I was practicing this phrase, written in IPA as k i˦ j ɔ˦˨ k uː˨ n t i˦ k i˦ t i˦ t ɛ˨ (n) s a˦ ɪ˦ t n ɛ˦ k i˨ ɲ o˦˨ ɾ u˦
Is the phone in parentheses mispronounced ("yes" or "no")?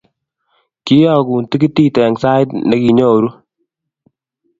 yes